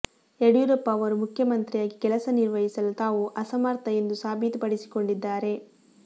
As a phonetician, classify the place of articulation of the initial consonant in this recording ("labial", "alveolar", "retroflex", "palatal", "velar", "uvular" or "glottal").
retroflex